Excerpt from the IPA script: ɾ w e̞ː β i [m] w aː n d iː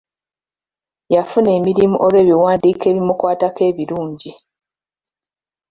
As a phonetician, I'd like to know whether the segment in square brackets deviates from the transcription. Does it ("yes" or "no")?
yes